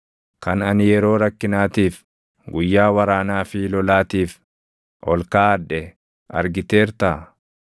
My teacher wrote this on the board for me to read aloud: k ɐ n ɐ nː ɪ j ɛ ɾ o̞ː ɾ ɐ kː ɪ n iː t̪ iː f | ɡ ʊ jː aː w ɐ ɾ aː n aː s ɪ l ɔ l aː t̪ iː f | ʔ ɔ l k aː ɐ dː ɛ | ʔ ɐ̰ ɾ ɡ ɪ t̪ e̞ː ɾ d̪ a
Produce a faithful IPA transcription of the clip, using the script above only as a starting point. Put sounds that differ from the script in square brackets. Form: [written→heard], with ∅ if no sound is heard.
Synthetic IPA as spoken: k ɐ n ɐ [nː→n] ɪ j ɛ ɾ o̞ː ɾ ɐ kː ɪ n [iː→aː] t̪ iː f | ɡ ʊ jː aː w ɐ ɾ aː n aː [s→f] ɪ l ɔ l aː t̪ iː f | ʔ ɔ l k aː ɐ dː ɛ | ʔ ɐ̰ ɾ ɡ ɪ t̪ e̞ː ɾ [d̪→t̪] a